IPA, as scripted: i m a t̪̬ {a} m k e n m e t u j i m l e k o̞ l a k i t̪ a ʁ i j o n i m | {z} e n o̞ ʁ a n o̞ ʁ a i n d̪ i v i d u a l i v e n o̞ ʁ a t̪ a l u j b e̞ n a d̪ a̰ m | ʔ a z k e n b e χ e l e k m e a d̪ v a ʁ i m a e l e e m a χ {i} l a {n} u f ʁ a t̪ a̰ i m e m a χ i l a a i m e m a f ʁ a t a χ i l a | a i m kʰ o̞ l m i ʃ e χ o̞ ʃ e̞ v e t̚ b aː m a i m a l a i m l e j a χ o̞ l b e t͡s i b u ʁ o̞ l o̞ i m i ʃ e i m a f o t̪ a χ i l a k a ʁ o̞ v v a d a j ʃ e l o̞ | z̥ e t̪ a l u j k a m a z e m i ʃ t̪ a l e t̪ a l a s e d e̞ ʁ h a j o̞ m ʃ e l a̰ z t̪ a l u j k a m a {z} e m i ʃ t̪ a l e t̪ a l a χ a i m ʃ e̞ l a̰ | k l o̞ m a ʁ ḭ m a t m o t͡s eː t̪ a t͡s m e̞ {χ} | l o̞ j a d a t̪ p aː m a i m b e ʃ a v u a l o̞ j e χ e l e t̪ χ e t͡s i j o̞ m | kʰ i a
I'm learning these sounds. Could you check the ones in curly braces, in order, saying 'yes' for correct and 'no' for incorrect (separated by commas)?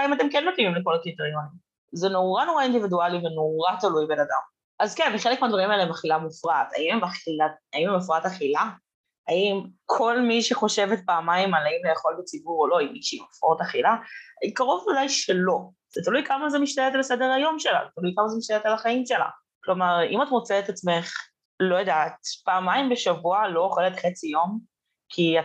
no, yes, yes, no, yes, yes